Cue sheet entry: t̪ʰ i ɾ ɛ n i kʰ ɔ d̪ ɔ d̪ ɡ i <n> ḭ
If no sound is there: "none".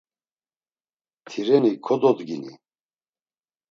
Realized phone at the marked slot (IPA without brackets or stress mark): n